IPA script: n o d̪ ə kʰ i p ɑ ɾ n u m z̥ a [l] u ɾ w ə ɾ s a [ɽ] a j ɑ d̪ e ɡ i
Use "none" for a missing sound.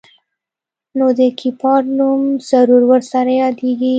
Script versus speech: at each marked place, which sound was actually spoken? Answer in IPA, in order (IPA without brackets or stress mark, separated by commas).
ɾ, ɾ